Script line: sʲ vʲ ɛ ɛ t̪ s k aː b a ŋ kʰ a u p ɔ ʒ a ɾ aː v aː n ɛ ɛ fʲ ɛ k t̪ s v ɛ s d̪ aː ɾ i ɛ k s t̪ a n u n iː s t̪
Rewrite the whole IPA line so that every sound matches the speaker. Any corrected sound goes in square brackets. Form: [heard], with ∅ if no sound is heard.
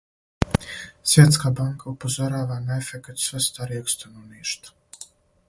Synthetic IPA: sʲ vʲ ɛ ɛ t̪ s k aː b a ŋ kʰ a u p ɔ [z] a ɾ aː v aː n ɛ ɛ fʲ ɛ k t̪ s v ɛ s [t̪] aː ɾ i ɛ k s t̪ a n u n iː [ʃ] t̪